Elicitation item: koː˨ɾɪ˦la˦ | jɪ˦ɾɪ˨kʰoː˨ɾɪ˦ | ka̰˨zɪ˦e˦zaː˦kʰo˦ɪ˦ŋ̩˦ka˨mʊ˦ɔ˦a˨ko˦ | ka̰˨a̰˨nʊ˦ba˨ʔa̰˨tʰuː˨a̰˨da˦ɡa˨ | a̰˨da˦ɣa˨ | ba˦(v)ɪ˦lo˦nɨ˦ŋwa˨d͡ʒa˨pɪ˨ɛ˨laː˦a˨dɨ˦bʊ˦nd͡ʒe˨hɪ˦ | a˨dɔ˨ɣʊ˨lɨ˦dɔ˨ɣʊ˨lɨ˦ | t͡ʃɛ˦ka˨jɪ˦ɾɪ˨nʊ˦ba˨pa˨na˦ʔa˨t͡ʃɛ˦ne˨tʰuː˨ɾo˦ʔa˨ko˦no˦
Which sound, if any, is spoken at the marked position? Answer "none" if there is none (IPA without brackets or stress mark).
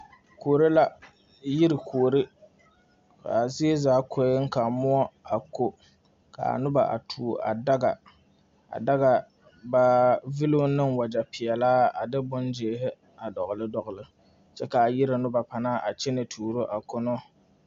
v